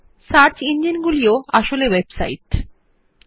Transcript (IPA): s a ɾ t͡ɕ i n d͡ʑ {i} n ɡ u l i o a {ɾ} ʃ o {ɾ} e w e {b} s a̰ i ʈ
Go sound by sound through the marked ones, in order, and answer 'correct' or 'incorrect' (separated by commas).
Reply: correct, incorrect, incorrect, correct